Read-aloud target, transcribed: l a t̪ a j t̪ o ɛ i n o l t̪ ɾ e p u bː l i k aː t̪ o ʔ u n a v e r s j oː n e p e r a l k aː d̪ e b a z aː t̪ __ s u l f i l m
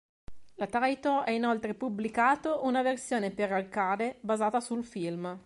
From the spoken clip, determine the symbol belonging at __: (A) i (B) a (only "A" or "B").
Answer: B